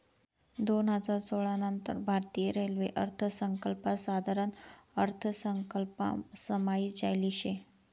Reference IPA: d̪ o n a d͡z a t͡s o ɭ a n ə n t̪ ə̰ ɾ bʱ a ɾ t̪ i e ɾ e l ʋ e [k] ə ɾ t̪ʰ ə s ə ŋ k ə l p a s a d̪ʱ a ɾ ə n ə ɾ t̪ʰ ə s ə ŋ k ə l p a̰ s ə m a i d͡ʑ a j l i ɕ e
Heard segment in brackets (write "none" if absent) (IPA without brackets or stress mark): ʔ